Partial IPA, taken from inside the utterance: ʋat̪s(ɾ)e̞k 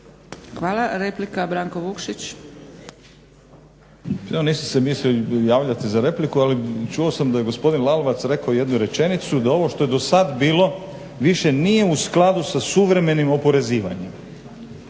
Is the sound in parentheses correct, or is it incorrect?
correct